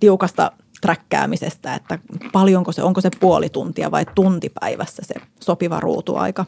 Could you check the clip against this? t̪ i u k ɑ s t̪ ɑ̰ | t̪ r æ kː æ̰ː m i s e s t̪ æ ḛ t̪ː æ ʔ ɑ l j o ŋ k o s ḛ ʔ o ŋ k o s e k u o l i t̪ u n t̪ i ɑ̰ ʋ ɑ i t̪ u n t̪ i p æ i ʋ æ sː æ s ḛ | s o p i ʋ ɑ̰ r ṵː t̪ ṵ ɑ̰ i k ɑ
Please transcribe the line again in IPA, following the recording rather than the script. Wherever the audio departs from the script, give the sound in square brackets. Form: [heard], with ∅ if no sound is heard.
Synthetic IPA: t̪ i u k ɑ s t̪ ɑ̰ | t̪ r æ kː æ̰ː m i s e s t̪ æ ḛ t̪ː æ [p] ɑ l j o ŋ k o s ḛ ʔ o ŋ k o s e [p] u o l i t̪ u n t̪ i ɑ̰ ʋ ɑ i t̪ u n t̪ i p æ i ʋ æ sː æ s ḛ | s o p i ʋ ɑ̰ r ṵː t̪ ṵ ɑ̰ i k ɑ